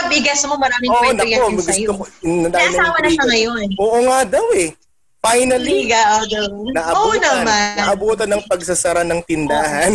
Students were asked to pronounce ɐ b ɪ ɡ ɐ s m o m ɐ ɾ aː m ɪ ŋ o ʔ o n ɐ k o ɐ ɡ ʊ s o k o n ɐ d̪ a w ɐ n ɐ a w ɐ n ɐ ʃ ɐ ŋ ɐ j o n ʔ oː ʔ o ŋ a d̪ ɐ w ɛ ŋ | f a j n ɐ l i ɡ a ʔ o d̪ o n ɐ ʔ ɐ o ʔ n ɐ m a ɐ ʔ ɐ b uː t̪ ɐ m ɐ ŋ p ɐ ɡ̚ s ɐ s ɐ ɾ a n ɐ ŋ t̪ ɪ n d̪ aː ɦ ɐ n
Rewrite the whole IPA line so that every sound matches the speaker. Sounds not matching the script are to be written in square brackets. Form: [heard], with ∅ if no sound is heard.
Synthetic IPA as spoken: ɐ b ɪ ɡ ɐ s m o m ɐ ɾ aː m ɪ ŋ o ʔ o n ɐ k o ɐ ɡ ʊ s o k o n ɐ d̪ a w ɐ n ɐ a w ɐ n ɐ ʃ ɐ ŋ ɐ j o n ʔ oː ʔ o ŋ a d̪ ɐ w ɛ [∅] | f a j n ɐ l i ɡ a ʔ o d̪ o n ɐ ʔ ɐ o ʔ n ɐ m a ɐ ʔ ɐ b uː t̪ ɐ [n] ɐ ŋ p ɐ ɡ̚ s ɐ s ɐ ɾ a n ɐ ŋ t̪ ɪ n d̪ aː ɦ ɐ n